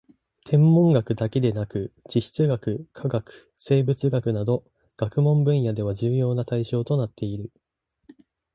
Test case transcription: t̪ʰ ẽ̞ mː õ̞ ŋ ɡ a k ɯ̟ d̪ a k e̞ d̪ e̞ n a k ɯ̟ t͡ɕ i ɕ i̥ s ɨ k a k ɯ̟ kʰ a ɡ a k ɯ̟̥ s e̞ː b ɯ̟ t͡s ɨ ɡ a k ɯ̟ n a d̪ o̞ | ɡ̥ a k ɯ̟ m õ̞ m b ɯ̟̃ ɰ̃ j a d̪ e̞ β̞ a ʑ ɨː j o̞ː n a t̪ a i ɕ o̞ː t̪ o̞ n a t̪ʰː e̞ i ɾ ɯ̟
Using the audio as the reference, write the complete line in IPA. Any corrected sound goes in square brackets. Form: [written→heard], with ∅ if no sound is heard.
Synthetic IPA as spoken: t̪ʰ ẽ̞ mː õ̞ ŋ ɡ a k ɯ̟ d̪ a k e̞ d̪ e̞ n a k ɯ̟ t͡ɕ i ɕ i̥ [s→t͡s] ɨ [k→ɡ] a k ɯ̟ kʰ a ɡ a k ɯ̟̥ s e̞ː b ɯ̟ t͡s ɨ ɡ a k ɯ̟ n a d̪ o̞ | ɡ̥ a k ɯ̟ m õ̞ m b ɯ̟̃ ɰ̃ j a d̪ e̞ β̞ a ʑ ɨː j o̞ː n a t̪ a i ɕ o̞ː t̪ o̞ n a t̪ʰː e̞ i ɾ ɯ̟